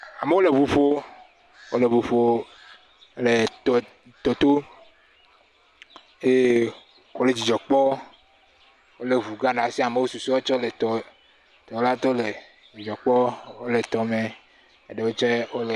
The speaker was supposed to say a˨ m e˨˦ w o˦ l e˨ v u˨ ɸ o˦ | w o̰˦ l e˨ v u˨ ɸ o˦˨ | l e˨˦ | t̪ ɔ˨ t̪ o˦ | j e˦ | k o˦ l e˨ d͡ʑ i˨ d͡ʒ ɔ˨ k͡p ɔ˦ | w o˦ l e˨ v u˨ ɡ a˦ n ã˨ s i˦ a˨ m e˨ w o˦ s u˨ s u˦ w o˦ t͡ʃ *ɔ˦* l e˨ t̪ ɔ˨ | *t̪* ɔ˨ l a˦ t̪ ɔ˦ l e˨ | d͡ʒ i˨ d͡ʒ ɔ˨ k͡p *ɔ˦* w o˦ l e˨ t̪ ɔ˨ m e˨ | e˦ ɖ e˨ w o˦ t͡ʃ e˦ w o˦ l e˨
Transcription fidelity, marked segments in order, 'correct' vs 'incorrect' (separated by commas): correct, correct, correct